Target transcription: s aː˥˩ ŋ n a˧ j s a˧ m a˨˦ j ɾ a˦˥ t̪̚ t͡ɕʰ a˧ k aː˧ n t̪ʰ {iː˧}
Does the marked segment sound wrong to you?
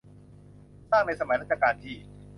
yes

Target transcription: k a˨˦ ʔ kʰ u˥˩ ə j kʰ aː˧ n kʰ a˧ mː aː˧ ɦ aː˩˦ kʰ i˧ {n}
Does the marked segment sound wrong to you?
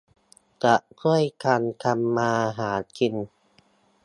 no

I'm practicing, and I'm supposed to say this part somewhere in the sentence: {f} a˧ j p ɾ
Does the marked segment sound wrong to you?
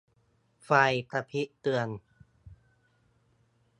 no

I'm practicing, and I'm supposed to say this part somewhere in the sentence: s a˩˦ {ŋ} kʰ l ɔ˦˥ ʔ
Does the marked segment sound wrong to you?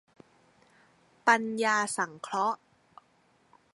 no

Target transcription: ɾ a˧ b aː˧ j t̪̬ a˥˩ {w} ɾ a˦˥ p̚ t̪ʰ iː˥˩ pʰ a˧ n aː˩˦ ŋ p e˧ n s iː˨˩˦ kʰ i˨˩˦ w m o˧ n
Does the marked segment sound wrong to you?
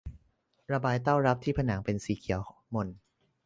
no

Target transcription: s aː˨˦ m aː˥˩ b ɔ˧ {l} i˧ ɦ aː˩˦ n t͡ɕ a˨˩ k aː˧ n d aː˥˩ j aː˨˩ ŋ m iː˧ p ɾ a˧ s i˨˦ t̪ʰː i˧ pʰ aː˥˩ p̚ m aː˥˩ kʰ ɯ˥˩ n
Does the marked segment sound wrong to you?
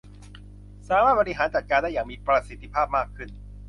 yes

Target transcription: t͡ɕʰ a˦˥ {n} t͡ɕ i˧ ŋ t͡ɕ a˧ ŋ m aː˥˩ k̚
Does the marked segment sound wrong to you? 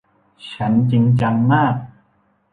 no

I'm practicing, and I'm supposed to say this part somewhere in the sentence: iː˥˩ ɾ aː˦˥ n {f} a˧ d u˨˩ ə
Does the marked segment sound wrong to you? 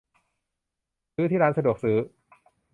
yes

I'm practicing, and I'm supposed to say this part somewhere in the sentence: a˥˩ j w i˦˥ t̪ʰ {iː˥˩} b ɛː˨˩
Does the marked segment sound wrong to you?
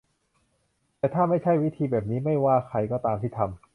yes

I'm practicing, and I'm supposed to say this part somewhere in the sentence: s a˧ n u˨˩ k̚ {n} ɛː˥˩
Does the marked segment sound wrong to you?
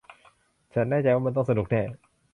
no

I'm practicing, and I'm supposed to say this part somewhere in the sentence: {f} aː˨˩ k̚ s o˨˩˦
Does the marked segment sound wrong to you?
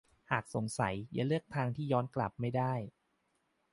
yes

